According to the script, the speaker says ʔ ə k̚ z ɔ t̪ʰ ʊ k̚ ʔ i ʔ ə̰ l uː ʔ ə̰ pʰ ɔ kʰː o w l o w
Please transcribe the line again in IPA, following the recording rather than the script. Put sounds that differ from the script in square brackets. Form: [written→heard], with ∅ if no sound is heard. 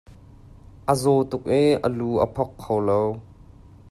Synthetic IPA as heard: ʔ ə [k̚→∅] z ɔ [t̪ʰ→t̪] ʊ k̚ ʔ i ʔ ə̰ l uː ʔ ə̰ pʰ ɔ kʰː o w l o w